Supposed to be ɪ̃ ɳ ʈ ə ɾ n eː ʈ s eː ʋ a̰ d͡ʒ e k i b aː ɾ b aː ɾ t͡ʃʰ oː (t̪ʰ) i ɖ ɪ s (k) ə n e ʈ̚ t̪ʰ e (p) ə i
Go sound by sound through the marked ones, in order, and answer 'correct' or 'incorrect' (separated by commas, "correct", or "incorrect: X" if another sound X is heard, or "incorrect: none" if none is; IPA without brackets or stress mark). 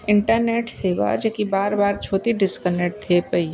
incorrect: t̪, correct, correct